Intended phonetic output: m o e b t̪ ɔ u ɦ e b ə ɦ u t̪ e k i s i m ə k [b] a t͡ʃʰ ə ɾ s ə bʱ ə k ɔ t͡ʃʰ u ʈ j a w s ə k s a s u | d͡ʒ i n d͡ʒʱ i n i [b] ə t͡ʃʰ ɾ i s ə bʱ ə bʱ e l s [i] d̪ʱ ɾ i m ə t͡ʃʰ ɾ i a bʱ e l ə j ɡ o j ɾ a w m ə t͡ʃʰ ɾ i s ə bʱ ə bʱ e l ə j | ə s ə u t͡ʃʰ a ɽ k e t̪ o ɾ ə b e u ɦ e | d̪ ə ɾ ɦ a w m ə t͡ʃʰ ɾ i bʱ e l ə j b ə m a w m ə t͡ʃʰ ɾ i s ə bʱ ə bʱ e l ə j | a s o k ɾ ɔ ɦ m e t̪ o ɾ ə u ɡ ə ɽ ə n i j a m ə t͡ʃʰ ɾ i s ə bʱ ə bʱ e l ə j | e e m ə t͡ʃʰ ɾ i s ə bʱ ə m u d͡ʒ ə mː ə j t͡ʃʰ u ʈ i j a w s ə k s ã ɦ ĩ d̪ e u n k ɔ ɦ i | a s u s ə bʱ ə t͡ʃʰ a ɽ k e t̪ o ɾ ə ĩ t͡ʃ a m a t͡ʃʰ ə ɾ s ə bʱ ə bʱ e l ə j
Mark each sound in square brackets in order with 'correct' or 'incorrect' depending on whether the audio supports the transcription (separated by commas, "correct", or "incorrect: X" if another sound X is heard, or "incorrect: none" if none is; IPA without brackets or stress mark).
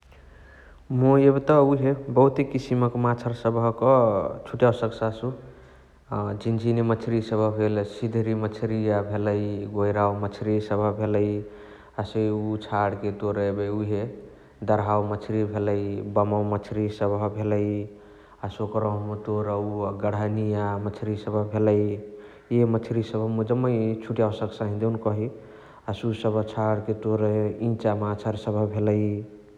incorrect: m, incorrect: m, correct